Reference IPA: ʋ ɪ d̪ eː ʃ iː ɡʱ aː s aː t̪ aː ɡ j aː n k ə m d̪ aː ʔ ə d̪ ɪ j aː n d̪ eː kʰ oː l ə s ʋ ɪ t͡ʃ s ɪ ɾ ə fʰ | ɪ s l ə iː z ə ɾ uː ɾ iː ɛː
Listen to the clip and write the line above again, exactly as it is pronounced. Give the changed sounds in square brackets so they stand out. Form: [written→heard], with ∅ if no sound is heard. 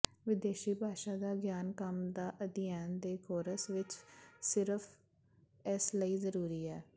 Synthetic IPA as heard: ʋ ɪ d̪ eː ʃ iː [ɡʱ→bʱ] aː [s→ʃ] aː [t̪→d̪] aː ɡ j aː n k ə m d̪ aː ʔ ə d̪ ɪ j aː n d̪ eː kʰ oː [l→ɾ] ə s ʋ ɪ t͡ʃ s ɪ ɾ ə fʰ | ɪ s l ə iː z ə ɾ uː ɾ iː ɛː